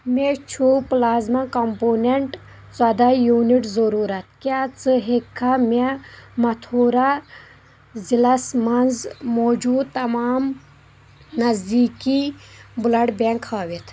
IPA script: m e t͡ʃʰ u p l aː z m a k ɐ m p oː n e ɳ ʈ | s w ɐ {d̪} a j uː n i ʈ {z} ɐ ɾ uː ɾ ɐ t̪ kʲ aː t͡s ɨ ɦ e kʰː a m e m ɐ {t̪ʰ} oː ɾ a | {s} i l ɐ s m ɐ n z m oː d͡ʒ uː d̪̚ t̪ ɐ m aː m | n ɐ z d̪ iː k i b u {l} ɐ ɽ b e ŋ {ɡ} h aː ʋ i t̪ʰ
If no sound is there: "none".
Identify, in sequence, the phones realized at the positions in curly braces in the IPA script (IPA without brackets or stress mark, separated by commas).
d̪, z, t̪ʰ, z, l, k